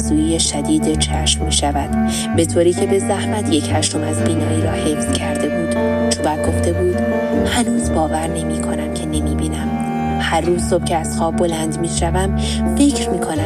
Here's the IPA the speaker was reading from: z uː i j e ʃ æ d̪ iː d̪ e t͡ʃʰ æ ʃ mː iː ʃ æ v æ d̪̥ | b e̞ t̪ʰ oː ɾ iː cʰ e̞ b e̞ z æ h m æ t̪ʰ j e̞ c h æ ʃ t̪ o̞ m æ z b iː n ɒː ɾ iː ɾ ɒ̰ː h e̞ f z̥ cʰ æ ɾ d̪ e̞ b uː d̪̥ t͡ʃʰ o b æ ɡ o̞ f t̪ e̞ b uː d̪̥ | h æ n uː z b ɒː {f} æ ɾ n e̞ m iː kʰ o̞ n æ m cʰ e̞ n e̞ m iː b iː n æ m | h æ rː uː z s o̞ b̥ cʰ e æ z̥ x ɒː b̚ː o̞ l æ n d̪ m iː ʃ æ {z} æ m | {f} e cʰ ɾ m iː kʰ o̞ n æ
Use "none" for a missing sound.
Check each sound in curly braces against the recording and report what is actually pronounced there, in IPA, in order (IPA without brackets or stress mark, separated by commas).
v, v, f